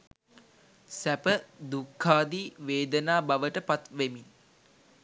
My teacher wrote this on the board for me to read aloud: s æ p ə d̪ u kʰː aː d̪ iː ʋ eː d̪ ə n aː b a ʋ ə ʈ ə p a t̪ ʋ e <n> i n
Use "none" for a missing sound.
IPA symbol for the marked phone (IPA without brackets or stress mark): m